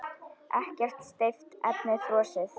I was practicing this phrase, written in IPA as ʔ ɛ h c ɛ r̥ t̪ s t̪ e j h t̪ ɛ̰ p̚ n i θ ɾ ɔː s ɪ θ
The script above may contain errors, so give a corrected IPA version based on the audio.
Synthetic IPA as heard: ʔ ɛ h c ɛ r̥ t̪ s t̪ e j f t̪ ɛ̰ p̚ n ɪ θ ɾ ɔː s ɪ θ